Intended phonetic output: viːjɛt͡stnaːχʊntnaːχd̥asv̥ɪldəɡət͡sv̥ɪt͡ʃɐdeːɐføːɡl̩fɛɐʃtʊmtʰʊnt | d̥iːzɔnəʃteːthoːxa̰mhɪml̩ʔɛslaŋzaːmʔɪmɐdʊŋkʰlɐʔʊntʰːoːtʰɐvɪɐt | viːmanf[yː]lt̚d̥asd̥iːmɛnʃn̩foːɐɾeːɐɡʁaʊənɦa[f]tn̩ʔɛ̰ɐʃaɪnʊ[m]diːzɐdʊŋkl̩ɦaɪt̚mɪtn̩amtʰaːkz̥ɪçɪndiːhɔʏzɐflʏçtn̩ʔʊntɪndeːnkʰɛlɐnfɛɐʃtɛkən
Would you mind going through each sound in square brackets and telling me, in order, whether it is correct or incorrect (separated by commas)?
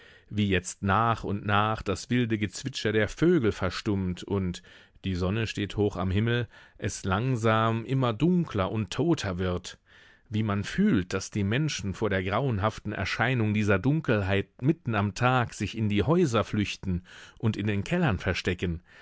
correct, correct, incorrect